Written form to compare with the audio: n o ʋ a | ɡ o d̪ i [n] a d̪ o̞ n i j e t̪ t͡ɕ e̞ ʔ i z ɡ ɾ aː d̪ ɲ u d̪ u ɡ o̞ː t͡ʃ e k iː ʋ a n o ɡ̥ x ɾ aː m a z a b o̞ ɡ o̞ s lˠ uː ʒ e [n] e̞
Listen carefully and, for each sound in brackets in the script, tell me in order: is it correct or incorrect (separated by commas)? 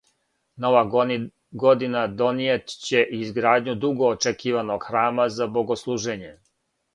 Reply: correct, incorrect